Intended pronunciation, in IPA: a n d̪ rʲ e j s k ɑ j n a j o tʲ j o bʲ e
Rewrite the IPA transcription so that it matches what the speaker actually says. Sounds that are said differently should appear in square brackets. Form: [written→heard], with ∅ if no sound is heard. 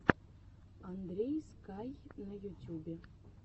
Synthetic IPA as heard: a n d̪ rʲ e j s k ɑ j n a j [o→u] tʲ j [o→u] bʲ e